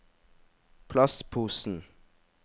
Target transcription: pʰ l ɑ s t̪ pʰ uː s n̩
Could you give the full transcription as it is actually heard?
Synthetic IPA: pʰ l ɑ s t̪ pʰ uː s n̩